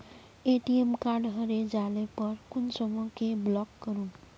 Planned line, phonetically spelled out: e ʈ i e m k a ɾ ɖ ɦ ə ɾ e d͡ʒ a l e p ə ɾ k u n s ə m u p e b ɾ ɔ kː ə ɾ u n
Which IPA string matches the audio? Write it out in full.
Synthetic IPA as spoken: e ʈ i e m k a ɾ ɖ ɦ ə ɾ e d͡ʒ a l e p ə ɾ k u n s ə m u k e b l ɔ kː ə ɾ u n